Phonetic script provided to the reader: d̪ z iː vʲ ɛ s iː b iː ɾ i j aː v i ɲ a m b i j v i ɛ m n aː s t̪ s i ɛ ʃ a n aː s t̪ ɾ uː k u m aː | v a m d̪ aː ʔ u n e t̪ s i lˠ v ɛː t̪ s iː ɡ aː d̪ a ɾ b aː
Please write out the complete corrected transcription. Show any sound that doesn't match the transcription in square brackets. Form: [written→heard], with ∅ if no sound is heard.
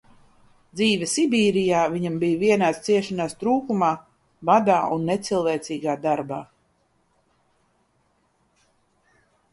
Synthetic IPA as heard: d̪ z iː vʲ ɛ s [iː→i] b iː ɾ i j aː v i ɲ a m b i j v i ɛ [m→∅] n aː s t̪ s i ɛ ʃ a n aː s t̪ ɾ uː k u m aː | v a [m→∅] d̪ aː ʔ u [n→nː] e t̪ s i lˠ v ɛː t̪ s iː ɡ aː d̪ a ɾ b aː

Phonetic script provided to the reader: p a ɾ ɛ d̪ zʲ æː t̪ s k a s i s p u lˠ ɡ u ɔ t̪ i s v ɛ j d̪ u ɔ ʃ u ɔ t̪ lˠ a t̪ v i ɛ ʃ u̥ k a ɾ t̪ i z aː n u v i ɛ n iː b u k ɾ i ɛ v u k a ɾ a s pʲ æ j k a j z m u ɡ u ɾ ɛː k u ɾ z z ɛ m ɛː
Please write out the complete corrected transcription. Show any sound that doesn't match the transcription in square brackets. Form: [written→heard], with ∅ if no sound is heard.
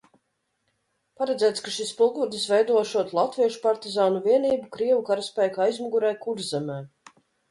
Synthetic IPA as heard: p a ɾ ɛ d̪ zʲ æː t̪ s k a [s→ʃ] i s p u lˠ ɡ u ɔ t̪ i s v ɛ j d̪ u ɔ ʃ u ɔ t̪ lˠ a t̪ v i ɛ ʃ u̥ [k→p] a ɾ t̪ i z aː n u v i ɛ n iː b u k ɾ i ɛ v u k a ɾ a s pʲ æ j k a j z m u ɡ u ɾ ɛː k u ɾ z z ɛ m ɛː

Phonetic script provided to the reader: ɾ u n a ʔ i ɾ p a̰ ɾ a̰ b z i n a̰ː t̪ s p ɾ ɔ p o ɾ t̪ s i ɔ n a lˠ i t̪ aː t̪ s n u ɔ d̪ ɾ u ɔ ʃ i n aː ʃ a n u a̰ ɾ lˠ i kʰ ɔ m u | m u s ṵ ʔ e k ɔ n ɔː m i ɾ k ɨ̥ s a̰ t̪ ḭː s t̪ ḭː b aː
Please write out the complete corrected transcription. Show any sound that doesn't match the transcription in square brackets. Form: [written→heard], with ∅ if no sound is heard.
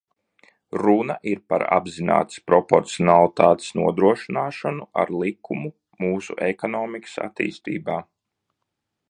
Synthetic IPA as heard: ɾ u n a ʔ i ɾ p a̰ ɾ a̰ b z i n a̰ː t̪ s p ɾ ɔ p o ɾ t̪ s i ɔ n a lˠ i t̪ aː t̪ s n u ɔ d̪ ɾ u ɔ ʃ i n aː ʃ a n u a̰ ɾ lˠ i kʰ [ɔ→u] m u | m [u→uː] s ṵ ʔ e k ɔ n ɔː m i [ɾ→∅] k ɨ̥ s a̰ t̪ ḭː s t̪ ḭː b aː

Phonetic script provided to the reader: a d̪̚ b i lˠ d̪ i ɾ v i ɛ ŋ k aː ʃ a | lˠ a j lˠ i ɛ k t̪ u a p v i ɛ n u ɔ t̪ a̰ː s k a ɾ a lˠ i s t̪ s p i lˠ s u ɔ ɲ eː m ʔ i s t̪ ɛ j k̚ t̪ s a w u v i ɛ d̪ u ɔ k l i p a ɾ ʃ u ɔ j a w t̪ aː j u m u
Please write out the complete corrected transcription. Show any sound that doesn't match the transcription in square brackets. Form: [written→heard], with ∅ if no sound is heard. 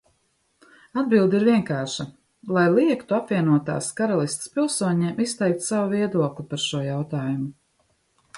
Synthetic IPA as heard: a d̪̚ b i lˠ d̪ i ɾ v i ɛ ŋ k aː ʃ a | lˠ a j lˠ i ɛ k t̪ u a p v i ɛ n u ɔ t̪ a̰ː s k a ɾ a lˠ i s t̪ s p i lˠ s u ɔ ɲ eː m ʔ i s t̪ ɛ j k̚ t̪ s a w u v i ɛ d̪ u ɔ k l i p a ɾ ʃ u ɔ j a w t̪ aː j u m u

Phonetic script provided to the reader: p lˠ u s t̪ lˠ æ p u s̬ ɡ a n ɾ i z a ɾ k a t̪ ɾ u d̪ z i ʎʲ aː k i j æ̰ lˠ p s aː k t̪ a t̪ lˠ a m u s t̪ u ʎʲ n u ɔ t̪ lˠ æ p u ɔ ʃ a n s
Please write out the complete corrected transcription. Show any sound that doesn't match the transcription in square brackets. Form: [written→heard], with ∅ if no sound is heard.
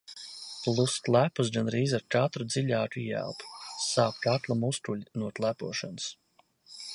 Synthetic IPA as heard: p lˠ u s t̪ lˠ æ p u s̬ ɡ a n ɾ [i→iː] z a ɾ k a t̪ ɾ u d̪ z i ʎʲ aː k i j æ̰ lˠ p s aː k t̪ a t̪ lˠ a m u s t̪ u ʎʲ n u ɔ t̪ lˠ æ p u ɔ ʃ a n s

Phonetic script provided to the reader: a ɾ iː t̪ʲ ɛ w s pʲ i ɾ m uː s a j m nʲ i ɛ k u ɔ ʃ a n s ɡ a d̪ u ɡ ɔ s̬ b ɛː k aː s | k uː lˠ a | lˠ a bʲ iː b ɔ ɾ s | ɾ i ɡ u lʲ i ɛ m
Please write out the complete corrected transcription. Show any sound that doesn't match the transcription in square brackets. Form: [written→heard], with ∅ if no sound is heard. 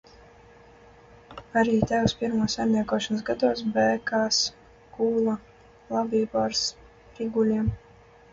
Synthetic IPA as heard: a ɾ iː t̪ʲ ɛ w s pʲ i ɾ m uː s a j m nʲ i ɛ k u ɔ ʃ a n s ɡ a d̪ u [ɡ→∅] ɔ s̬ b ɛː k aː s | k uː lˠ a | lˠ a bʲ iː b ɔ ɾ s | ɾ i ɡ u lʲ i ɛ m

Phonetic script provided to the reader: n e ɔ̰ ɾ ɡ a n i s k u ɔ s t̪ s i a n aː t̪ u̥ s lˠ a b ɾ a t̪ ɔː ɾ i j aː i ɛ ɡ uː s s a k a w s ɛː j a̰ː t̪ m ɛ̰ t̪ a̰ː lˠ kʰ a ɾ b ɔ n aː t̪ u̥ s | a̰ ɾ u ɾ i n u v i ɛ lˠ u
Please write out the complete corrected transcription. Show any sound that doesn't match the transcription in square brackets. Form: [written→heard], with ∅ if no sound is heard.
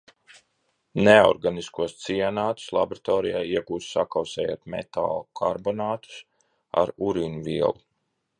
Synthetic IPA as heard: n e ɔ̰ ɾ ɡ a n i s k u ɔ s t̪ s i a n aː t̪ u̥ s lˠ a b ɾ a t̪ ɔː ɾ i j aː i ɛ ɡ uː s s a k a w s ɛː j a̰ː t̪ m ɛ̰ t̪ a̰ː lˠ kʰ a ɾ b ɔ n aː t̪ u̥ s | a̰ ɾ u ɾ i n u v i ɛ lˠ u

